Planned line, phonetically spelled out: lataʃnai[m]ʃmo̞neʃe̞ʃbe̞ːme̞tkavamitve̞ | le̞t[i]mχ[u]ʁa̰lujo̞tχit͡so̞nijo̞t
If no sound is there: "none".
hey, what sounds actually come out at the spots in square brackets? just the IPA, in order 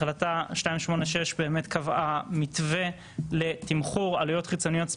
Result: m, i, u

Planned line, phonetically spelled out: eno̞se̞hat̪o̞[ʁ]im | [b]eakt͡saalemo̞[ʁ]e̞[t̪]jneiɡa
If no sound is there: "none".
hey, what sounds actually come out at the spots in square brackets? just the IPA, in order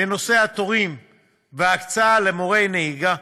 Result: ʁ, v, ʁ, none

